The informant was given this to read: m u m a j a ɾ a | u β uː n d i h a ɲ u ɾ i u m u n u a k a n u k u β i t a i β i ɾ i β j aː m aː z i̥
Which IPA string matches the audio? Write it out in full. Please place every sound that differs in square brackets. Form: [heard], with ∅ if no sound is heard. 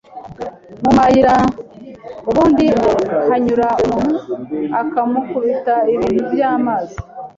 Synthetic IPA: m u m a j [i] ɾ a | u β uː n d i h a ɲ u ɾ [a] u m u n u a k a [m] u k u β i t a i β i ɾ i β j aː m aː z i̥

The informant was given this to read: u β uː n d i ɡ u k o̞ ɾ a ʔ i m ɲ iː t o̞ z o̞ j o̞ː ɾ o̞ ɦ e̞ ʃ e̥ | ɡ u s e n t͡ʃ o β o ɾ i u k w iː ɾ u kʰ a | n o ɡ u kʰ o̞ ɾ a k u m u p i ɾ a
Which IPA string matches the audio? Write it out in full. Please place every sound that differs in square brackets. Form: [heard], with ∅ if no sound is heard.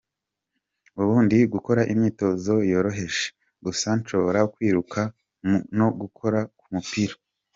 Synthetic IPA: u β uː n d i ɡ u k o̞ ɾ a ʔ i m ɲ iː t o̞ z o̞ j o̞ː ɾ o̞ ɦ e̞ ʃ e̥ | ɡ u s [a] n t͡ʃ o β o ɾ [a] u k w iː ɾ u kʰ a | n o ɡ u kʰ o̞ ɾ a k u m u p i ɾ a

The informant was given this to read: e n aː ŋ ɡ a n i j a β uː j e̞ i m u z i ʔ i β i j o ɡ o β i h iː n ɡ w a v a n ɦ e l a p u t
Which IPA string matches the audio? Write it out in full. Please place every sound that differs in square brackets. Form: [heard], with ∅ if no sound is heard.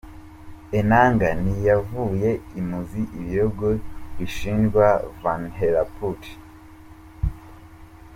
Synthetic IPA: e n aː ŋ ɡ a n i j a [v] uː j e̞ i m u z i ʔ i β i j o ɡ o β i [ʃ] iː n ɡ w a v a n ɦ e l a p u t

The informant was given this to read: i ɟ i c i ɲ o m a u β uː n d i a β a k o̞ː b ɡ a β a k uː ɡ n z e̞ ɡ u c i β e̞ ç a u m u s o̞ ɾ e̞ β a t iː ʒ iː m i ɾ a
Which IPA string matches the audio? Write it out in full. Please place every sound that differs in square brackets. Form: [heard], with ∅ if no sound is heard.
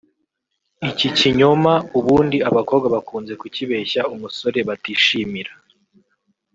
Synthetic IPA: i [c] i c i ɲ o m a u β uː n d i a β a k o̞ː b ɡ a β a k uː [∅] n z e̞ [k] u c i β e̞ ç a u m u s o̞ ɾ e̞ β a t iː [ʃ] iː m i ɾ a

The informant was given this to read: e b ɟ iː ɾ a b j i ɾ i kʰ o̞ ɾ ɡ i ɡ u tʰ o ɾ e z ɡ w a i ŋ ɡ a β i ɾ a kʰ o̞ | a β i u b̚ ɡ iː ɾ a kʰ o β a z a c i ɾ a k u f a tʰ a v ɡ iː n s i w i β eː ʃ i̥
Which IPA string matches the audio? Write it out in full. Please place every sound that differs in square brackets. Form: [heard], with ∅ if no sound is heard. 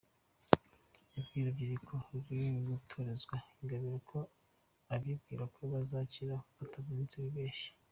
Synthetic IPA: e b [ɡ] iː ɾ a b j i ɾ i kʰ o̞ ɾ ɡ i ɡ u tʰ o ɾ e z ɡ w a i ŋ ɡ a β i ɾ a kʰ o̞ | a β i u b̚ ɡ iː ɾ a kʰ o β a z a c i ɾ a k u f a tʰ a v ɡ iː n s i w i β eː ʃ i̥

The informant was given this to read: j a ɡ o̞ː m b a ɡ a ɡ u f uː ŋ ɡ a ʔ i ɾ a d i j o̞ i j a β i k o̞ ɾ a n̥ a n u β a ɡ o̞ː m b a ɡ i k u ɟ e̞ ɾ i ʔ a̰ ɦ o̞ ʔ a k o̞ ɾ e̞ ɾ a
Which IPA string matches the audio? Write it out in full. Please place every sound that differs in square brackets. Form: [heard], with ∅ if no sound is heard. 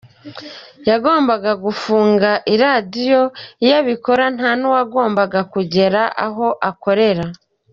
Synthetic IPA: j a ɡ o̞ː m b a ɡ a ɡ u f uː ŋ ɡ a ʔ i ɾ a d i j o̞ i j a β i k o̞ ɾ a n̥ a n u [w] a ɡ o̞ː m b a ɡ [a] k u ɟ e̞ ɾ [a] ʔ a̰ ɦ o̞ ʔ a k o̞ ɾ e̞ ɾ a

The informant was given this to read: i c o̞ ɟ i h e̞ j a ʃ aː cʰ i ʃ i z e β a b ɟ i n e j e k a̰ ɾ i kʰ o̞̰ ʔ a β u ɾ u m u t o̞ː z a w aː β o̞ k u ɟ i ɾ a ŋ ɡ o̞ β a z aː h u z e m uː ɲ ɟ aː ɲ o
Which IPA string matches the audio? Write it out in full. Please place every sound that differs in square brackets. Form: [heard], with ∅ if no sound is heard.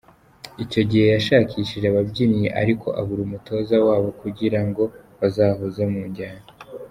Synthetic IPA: i c o̞ ɟ i h e̞ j a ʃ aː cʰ i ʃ i [ʒ] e β a b ɟ i n [i] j e [ʔ] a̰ ɾ i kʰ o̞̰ ʔ a β u ɾ u m u t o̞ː z a w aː β o̞ k u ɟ i ɾ a ŋ ɡ o̞ β a z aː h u z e m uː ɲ ɟ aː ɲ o

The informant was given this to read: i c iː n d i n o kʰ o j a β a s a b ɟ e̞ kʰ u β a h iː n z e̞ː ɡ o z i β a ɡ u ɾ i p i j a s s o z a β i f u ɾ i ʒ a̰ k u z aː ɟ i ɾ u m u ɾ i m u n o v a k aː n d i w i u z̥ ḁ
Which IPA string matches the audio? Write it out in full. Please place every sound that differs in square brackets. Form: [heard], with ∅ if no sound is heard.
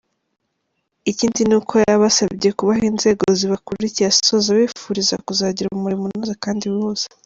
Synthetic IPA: i c iː n d i n [u] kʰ o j a β a s a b ɟ e̞ [k] u β a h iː n z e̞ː ɡ o z i β a [k] u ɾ i [c] i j a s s o z a β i f u ɾ i [z] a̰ k u z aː ɟ i ɾ u m u ɾ i m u n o [z] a k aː n d i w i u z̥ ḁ

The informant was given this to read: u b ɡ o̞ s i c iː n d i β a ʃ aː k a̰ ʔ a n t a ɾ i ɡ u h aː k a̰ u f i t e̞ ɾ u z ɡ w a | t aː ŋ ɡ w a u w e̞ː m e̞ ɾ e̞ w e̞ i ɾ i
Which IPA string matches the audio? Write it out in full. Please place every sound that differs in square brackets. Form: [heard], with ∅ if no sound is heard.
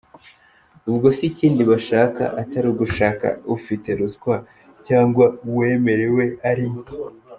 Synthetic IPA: u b ɡ o̞ s i c iː n d i β a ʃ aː k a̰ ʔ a [∅] t a ɾ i ɡ u [ʃ] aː k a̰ u f i t e̞ ɾ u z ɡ w a | [c] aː ŋ ɡ w a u w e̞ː m e̞ ɾ e̞ w e̞ [a] ɾ i

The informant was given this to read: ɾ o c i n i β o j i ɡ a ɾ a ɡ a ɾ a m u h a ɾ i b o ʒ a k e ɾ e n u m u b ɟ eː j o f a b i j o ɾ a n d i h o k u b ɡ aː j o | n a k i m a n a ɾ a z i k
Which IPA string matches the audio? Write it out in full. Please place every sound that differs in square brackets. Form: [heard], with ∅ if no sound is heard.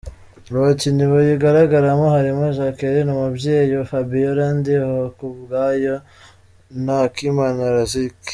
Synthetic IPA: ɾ o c i n i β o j i ɡ a ɾ a ɡ a ɾ a m [o] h a ɾ i [m] o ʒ a k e ɾ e n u m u b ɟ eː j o f a b i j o ɾ a n d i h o k u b ɡ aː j o | n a k i m a n a ɾ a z i k

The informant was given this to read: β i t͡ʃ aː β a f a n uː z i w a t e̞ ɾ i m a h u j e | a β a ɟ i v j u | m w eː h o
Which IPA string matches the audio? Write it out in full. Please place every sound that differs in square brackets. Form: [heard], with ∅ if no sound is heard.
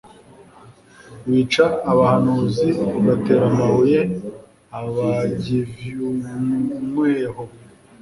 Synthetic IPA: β i t͡ʃ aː β a [h] a n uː z i [β] a t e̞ ɾ [a] m a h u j e | a β a ɟ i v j u | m w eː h o

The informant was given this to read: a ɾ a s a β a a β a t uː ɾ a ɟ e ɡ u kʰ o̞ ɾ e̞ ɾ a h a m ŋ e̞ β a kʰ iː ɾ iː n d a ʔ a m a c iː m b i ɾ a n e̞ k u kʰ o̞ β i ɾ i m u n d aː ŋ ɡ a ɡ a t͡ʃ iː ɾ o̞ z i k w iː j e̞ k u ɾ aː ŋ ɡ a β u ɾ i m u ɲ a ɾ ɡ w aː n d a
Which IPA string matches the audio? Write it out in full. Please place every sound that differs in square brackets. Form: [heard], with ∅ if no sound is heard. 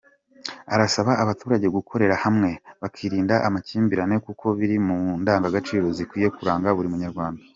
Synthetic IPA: a ɾ a s a β a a β a t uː ɾ a ɟ e ɡ u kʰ o̞ ɾ e̞ ɾ a h a m ŋ e̞ β a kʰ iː ɾ iː n d a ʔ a m a c iː m b i ɾ a n e̞ k u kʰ o̞ β i ɾ i m u n d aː ŋ ɡ a ɡ a t͡ʃ iː ɾ o̞ z i k w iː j e̞ k u ɾ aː ŋ ɡ a β u ɾ i m u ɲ a ɾ ɡ w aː n d a

